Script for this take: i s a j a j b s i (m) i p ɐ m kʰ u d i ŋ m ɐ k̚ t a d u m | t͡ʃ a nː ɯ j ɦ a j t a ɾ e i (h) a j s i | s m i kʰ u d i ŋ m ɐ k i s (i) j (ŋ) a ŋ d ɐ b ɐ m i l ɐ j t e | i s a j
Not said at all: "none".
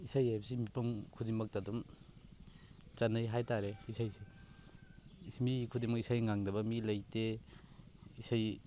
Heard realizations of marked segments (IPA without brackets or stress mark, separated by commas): m, s, a, ŋ